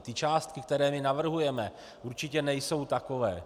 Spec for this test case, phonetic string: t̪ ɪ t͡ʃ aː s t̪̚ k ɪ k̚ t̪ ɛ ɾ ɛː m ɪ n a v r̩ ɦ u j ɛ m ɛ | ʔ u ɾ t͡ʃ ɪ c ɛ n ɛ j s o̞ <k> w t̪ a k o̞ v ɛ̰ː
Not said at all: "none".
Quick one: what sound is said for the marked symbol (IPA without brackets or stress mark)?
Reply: none